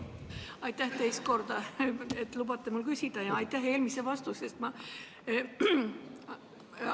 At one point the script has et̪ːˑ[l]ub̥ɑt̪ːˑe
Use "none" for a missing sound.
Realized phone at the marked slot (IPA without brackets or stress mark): l